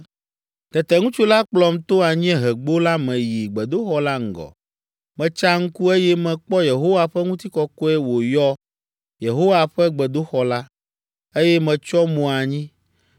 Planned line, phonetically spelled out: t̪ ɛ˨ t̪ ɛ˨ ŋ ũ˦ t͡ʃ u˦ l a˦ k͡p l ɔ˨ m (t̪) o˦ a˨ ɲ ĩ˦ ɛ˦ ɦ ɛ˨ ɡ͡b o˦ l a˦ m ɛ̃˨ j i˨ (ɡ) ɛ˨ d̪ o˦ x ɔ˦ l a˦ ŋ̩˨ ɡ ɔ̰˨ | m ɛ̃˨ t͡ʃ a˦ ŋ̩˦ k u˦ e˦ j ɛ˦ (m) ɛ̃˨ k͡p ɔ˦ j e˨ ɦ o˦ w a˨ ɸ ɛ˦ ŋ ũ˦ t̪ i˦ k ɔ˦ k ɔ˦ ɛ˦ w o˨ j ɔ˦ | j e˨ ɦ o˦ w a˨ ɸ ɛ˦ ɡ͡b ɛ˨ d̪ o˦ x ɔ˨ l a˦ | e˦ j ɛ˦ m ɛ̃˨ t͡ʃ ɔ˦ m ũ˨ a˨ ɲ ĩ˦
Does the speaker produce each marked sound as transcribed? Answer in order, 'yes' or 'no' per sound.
yes, no, yes

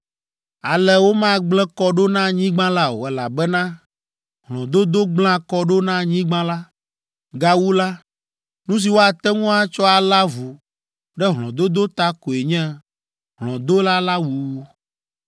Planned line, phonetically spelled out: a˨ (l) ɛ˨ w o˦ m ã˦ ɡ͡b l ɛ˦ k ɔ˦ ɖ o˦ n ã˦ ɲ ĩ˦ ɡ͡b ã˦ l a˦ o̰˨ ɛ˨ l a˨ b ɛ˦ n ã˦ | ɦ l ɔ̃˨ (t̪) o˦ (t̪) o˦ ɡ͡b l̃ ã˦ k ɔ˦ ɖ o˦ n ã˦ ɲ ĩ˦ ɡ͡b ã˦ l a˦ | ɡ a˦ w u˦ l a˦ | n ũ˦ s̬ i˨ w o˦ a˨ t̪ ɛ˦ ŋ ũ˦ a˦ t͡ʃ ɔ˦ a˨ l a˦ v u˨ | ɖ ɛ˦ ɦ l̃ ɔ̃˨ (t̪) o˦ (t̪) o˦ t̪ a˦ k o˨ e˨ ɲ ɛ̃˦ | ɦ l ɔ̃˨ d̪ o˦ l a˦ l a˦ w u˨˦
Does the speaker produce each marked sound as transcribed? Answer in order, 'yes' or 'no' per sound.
yes, no, no, no, no

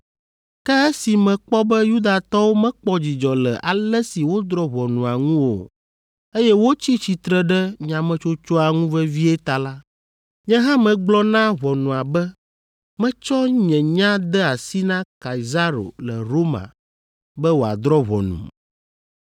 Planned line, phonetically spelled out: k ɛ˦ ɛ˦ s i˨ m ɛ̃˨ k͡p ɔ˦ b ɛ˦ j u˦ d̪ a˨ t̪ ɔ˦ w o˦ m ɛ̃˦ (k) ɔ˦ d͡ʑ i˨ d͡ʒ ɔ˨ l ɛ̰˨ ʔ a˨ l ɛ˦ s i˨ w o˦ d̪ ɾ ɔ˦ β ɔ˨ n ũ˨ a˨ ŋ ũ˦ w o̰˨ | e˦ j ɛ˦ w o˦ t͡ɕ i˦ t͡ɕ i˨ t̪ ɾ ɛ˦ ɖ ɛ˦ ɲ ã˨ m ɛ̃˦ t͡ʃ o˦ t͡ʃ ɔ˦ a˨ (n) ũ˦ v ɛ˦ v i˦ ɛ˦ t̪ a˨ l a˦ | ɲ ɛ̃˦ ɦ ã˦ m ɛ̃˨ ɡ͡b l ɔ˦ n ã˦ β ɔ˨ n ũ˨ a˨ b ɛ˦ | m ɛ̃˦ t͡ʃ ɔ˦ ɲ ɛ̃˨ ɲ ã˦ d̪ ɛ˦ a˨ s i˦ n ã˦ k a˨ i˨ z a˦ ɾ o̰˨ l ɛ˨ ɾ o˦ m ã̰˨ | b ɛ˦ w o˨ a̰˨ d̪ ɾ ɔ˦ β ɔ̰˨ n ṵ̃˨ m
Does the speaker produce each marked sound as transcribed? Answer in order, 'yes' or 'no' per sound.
no, no

